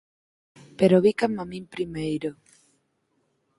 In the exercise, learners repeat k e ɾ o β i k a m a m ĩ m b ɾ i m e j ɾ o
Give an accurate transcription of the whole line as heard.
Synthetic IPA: p e ɾ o β i k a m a m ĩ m p ɾ i m e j ɾ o